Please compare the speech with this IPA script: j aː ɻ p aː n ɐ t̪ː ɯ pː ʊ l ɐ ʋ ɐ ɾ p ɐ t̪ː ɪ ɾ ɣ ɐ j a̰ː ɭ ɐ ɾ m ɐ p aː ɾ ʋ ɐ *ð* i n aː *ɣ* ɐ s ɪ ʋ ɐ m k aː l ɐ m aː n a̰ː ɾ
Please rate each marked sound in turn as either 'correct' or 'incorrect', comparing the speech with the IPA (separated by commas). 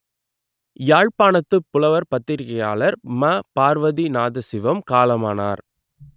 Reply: correct, incorrect